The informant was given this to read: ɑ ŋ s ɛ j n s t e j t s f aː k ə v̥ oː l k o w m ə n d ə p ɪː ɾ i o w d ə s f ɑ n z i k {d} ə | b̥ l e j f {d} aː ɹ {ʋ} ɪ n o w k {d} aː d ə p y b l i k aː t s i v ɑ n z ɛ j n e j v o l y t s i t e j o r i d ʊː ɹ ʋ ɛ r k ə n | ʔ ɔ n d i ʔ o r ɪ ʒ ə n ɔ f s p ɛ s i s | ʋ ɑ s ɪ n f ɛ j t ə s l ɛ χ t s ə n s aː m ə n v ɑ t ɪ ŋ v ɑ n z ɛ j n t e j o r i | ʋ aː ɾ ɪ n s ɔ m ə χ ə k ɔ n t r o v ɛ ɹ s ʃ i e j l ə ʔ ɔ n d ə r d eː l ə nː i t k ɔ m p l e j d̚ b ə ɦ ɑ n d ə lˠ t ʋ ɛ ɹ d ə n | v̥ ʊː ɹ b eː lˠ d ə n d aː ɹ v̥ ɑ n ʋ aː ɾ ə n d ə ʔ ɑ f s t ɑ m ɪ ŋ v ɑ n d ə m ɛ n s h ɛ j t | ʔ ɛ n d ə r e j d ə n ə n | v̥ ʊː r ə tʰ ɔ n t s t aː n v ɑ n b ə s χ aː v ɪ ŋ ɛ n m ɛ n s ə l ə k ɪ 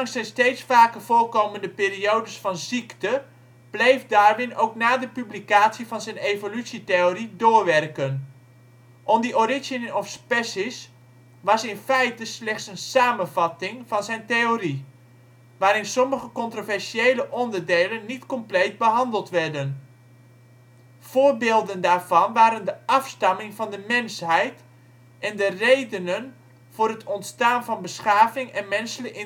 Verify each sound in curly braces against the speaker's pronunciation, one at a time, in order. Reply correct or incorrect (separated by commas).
incorrect, correct, correct, incorrect